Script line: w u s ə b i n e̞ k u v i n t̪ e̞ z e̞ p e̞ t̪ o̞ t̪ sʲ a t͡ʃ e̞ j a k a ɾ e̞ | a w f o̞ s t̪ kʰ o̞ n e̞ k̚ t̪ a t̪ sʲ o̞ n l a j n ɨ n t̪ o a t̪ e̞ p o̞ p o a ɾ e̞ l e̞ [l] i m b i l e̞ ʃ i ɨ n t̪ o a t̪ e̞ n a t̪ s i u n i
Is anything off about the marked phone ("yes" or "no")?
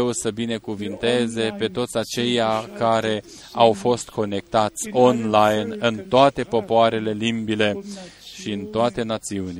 no